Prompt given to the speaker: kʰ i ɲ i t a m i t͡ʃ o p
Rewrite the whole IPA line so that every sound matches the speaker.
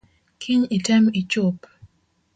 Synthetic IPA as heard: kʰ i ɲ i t ɛ m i t͡ʃ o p